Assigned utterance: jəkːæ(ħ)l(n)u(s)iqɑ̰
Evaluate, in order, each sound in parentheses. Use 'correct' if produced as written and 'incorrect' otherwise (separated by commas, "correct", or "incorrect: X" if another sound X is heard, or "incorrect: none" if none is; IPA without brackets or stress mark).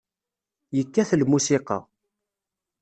incorrect: θ, incorrect: m, correct